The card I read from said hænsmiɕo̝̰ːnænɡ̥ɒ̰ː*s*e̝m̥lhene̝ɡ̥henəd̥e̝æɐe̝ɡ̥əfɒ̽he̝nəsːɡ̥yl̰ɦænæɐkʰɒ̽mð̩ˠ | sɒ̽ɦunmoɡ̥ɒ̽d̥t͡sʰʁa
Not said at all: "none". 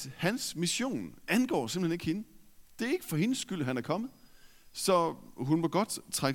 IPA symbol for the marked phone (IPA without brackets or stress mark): s